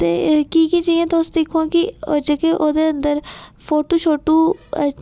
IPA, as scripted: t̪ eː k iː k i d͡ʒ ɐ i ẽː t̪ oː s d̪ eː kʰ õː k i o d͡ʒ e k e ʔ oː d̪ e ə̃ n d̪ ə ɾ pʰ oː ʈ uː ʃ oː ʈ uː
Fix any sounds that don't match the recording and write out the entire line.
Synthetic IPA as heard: t̪ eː k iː k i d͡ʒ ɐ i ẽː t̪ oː s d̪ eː kʰ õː k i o d͡ʒ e k e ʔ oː d̪ e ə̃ n d̪ ə ɾ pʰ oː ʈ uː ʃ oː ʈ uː